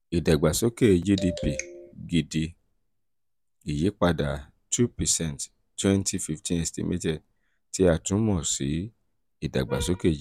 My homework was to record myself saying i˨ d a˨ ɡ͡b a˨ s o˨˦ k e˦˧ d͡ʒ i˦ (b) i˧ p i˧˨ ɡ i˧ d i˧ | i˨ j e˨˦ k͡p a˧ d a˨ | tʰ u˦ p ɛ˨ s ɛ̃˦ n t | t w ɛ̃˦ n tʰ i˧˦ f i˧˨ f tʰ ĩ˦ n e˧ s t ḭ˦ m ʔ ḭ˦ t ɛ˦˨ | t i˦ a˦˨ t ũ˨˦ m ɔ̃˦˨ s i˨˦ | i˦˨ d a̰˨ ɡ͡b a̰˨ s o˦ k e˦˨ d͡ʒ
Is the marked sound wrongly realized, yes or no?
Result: yes